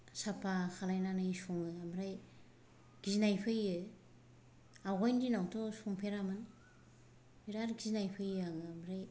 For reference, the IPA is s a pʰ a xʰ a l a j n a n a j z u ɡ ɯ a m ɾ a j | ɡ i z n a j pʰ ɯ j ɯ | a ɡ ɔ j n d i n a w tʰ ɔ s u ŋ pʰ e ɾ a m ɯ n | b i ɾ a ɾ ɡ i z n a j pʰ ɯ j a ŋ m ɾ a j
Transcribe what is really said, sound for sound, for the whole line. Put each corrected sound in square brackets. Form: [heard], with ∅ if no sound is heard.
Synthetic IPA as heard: s a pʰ a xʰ a l a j n a n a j [s] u [ŋ] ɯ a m ɾ a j | ɡ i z n a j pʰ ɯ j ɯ | a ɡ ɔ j n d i n a w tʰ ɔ s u ŋ pʰ e ɾ a m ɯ n | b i ɾ a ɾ ɡ i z n a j pʰ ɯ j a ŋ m ɾ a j

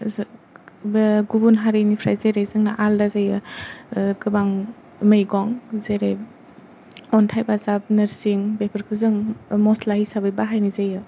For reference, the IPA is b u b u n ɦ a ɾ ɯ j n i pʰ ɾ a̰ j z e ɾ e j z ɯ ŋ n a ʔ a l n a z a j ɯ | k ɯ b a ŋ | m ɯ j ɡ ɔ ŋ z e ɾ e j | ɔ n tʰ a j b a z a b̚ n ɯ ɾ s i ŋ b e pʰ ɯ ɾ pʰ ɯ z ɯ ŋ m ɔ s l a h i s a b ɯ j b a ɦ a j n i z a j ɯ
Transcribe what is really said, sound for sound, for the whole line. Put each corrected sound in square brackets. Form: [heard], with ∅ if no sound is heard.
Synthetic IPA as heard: [ɡ] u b u n ɦ a ɾ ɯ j n i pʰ ɾ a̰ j z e ɾ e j z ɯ ŋ n a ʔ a l [d] a z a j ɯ | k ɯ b a ŋ | m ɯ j ɡ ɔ ŋ z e ɾ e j | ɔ n tʰ a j b a z a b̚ n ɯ ɾ s i ŋ b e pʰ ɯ ɾ [kʰ] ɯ z ɯ ŋ m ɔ s l a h i s a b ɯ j b a ɦ a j n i z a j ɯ

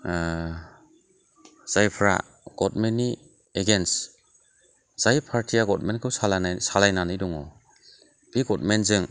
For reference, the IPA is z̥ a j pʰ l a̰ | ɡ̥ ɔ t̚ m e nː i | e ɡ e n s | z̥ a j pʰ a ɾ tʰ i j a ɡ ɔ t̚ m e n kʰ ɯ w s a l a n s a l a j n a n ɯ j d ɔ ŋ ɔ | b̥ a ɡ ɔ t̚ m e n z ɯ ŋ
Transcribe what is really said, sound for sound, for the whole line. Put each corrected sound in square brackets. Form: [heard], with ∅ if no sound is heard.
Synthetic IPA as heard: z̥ a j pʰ [ɾ] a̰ | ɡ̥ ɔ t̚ m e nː i | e ɡ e n s | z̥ a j pʰ a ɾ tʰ i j a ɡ ɔ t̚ m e n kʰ ɯ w s a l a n s a l a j n a n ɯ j d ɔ ŋ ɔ | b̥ [i] ɡ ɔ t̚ m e n z ɯ ŋ

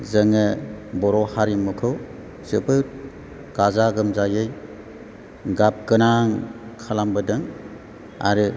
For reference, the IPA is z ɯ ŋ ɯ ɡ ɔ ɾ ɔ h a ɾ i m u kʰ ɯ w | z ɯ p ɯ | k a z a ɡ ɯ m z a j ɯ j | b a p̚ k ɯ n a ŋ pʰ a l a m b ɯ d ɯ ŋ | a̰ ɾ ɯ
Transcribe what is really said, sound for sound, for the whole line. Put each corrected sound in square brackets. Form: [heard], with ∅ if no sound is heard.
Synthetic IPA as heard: z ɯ ŋ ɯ [b] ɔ ɾ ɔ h a ɾ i m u kʰ ɯ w | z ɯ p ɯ | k a z a ɡ ɯ m z a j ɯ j | [ɡ] a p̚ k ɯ n a ŋ [kʰ] a l a m b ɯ d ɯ ŋ | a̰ ɾ ɯ

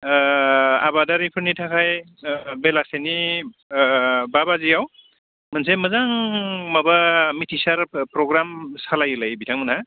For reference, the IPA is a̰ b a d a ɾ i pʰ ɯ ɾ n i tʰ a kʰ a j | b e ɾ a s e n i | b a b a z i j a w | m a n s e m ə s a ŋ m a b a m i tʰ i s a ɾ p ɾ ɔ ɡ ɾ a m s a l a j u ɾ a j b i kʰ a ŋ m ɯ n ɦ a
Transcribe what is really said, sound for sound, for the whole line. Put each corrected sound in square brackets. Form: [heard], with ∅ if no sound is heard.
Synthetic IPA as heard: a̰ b a d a ɾ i pʰ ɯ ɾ n i tʰ a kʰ a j | b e [l] a s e n i | b a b a z i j a w | m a n s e m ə [z] a ŋ m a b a m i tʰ i s a ɾ p ɾ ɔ ɡ ɾ a m s a l a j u [l] a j b i [tʰ] a ŋ m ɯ n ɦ a

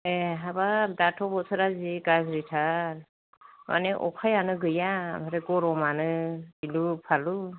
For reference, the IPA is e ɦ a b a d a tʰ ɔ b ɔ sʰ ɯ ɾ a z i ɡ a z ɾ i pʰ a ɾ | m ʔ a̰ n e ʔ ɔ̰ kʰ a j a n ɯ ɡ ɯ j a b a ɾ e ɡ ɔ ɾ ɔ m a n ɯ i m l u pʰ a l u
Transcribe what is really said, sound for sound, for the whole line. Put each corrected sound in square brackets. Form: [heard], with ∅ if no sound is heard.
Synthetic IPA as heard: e ɦ a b a d a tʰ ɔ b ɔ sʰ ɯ ɾ a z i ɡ a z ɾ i [tʰ] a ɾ | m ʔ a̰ n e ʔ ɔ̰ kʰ a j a n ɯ ɡ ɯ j a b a ɾ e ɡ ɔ ɾ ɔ m a n ɯ i [∅] l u pʰ a l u

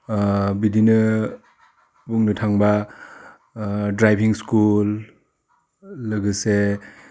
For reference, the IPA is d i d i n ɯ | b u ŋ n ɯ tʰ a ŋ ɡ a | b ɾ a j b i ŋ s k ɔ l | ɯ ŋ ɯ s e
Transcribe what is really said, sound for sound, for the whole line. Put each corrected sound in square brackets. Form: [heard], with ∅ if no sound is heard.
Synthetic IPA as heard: [b] i d i n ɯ | b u ŋ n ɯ tʰ a ŋ [b] a | [d] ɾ a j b i ŋ s k [u] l | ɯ [ɡ] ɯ s e

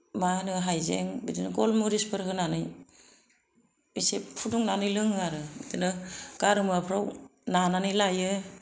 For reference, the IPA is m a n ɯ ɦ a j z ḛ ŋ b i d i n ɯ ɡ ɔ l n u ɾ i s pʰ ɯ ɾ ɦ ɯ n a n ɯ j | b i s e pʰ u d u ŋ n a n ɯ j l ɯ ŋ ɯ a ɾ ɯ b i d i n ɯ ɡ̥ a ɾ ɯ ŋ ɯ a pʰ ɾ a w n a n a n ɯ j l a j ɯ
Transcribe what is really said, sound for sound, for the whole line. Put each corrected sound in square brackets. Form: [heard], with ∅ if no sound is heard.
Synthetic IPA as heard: m a n ɯ ɦ a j z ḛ ŋ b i d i n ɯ ɡ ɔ l [m] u ɾ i s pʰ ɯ ɾ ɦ ɯ n a n ɯ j | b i s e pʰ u d u ŋ n a n ɯ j l ɯ ŋ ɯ a ɾ ɯ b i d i n ɯ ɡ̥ a ɾ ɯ [m] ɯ a pʰ ɾ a w n a n a n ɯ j l a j ɯ

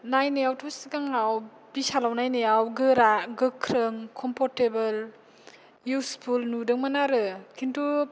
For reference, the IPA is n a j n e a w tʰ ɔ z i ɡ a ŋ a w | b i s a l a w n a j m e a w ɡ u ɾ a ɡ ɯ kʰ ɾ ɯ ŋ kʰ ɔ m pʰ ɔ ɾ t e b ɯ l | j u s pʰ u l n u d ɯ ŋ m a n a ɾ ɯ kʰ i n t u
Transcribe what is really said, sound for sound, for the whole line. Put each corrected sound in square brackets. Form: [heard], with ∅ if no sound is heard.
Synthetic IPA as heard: n a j n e a w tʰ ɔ [s] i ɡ a ŋ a w | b i s a l a w n a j [n] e a w ɡ [ɯ] ɾ a ɡ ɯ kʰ ɾ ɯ ŋ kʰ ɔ m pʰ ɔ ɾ t e b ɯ l | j u s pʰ u l n u d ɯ ŋ m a n a ɾ ɯ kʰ i n t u

